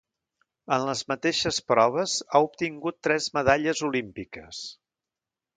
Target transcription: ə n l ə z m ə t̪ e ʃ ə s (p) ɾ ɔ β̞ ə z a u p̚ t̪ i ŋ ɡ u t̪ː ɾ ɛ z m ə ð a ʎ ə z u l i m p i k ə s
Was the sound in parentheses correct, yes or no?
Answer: yes